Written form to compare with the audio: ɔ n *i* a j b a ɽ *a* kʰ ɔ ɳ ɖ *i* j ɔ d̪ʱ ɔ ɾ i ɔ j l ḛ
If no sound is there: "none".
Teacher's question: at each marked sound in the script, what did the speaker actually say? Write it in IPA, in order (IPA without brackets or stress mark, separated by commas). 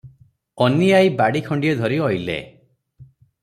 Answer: i, i, i